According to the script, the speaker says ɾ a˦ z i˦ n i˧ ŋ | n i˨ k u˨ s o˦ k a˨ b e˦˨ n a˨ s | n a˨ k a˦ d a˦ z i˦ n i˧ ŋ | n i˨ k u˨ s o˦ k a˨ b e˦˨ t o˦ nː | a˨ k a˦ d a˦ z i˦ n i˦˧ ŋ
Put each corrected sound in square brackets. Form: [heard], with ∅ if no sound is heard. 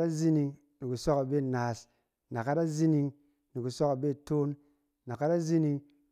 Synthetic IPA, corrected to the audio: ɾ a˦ z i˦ n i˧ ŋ | n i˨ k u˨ s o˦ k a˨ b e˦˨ n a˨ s | n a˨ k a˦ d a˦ z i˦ n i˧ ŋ | n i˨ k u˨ s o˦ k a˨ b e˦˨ t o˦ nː | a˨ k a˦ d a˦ z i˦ n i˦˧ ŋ